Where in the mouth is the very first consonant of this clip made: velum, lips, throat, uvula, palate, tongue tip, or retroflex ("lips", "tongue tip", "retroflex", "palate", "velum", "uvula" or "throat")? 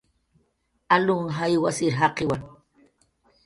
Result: tongue tip